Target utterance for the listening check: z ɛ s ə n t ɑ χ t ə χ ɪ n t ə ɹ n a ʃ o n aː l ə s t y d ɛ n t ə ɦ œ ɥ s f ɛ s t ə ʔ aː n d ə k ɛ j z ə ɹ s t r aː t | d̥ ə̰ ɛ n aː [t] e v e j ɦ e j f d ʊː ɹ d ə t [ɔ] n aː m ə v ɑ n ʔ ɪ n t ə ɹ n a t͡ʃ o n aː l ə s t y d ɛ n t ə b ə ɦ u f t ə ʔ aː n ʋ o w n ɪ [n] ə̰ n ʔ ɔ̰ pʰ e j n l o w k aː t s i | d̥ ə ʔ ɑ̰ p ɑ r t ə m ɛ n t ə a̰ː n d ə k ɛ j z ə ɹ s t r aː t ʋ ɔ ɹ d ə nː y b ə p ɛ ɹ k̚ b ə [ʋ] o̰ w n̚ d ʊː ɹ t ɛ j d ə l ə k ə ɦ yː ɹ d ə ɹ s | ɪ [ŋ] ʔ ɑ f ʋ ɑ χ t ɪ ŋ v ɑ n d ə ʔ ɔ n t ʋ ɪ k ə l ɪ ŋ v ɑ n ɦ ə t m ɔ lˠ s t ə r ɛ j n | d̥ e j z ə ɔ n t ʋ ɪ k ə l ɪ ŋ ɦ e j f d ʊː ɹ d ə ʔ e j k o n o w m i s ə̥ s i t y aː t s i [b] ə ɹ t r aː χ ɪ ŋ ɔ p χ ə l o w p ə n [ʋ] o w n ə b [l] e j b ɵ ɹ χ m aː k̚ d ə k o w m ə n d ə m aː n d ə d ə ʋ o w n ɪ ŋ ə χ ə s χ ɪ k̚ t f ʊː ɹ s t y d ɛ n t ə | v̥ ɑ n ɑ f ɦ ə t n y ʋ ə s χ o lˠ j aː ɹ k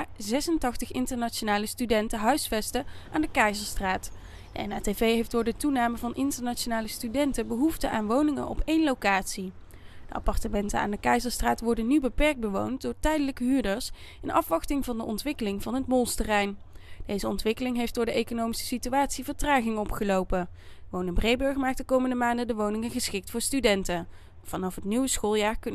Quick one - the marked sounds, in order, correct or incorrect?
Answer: correct, incorrect: u, incorrect: ŋ, correct, incorrect: n, incorrect: v, correct, incorrect: r

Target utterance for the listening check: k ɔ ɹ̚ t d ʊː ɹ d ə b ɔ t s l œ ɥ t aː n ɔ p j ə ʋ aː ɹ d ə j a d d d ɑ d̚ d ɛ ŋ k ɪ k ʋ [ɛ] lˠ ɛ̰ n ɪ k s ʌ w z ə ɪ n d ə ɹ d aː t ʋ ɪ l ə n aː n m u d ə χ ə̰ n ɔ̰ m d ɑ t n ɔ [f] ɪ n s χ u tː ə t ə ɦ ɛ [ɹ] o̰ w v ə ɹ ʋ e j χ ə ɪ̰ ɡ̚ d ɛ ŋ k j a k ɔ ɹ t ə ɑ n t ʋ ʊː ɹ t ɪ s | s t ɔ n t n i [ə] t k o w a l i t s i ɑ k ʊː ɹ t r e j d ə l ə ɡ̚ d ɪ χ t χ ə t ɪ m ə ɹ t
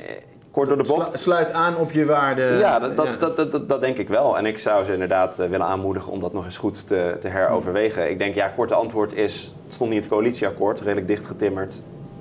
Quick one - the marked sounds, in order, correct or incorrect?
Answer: correct, incorrect: χ, correct, correct

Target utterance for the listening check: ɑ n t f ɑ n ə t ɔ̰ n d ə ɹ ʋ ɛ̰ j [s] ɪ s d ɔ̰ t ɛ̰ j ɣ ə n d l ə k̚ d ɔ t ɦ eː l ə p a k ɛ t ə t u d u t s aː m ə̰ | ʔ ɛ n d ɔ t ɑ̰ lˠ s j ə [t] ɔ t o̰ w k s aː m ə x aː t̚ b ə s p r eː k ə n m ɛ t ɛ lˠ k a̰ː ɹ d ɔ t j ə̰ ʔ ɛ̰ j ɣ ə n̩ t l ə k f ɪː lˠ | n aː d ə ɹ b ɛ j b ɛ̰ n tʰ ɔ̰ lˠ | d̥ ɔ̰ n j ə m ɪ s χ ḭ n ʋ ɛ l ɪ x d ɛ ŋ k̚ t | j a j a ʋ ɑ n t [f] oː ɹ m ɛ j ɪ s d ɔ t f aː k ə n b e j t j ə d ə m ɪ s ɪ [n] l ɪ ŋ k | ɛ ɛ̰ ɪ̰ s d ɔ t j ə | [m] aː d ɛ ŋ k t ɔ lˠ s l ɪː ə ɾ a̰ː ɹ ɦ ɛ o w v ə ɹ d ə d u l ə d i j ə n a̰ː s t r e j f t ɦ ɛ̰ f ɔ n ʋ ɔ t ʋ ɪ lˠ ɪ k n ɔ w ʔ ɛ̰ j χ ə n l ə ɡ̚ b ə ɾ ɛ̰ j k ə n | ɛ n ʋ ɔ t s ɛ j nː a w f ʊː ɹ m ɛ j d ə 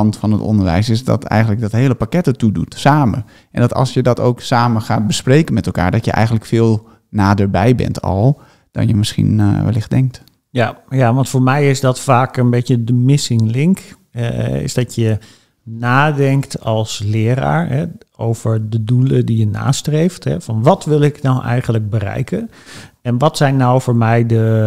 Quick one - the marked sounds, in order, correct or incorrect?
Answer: correct, incorrect: d, correct, incorrect: ŋ, incorrect: n

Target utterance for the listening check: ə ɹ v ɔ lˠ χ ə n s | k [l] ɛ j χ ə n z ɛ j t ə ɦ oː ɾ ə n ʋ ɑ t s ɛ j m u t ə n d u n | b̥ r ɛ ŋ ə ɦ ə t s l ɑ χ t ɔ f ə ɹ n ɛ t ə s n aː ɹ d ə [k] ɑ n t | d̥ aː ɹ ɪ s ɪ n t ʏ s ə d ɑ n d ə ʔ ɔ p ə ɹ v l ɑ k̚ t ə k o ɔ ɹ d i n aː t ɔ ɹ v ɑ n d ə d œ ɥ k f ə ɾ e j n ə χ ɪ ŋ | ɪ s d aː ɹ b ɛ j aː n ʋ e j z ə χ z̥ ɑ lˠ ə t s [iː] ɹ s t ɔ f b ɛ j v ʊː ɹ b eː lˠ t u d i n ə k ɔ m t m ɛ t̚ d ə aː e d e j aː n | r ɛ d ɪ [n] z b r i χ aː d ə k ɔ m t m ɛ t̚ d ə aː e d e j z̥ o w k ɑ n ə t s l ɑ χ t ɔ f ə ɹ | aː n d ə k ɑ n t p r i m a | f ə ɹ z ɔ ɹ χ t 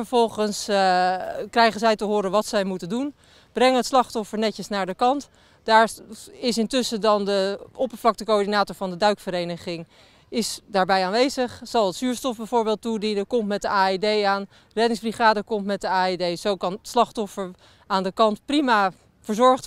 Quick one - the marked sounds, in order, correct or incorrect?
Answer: incorrect: r, correct, incorrect: yː, incorrect: ŋ

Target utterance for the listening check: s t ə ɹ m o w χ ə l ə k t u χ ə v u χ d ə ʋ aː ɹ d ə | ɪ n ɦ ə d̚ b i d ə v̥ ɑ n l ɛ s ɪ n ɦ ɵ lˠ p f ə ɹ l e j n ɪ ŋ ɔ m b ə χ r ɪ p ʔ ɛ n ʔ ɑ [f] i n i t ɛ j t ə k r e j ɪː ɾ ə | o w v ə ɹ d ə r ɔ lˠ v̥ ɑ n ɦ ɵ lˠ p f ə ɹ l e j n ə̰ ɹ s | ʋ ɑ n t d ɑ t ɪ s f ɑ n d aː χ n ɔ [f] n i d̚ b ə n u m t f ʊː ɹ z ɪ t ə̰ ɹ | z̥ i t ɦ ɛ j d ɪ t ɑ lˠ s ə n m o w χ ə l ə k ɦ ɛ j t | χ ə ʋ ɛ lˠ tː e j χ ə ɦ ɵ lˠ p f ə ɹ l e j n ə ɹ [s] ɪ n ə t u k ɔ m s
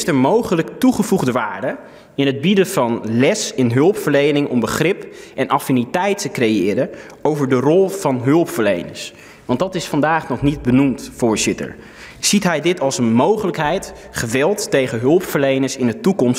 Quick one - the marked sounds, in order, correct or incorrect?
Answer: correct, incorrect: χ, correct

